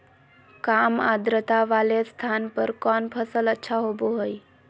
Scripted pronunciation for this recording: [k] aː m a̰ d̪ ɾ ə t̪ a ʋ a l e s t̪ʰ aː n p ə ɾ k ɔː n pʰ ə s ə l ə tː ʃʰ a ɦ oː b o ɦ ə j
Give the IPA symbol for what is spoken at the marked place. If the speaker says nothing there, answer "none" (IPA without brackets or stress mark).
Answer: k